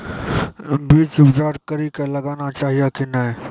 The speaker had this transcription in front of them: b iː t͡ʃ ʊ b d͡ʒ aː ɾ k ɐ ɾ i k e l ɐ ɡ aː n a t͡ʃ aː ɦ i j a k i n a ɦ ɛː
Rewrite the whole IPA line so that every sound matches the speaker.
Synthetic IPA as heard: b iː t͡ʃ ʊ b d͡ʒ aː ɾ k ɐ ɾ i k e l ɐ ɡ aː n a t͡ʃ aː ɦ i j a k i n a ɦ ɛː